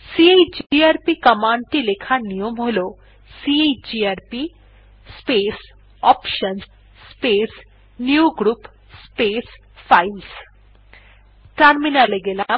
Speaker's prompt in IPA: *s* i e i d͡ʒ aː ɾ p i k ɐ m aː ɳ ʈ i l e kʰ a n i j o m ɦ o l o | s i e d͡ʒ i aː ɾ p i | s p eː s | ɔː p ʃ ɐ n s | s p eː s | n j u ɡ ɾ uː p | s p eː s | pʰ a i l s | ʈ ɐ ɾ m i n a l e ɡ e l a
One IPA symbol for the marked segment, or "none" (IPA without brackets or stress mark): s